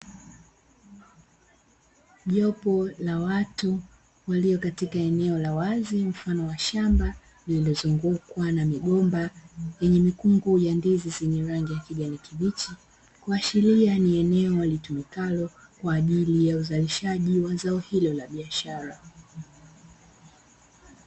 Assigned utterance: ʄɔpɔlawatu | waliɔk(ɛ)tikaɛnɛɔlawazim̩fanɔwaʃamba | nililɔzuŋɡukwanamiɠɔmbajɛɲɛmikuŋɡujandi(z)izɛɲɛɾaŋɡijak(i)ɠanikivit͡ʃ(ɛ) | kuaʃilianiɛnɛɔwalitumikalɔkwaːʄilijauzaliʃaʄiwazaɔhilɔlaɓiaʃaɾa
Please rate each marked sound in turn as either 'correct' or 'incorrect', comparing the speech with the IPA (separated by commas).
incorrect, correct, correct, incorrect